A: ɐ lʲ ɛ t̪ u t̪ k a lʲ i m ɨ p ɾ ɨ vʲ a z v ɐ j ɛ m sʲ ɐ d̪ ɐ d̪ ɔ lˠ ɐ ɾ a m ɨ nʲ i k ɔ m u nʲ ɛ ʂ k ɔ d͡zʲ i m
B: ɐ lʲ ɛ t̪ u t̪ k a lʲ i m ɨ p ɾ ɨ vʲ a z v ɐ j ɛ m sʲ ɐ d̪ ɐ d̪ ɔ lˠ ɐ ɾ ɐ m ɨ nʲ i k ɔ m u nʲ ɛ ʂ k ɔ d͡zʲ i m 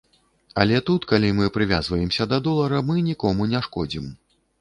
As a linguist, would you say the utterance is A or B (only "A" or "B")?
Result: B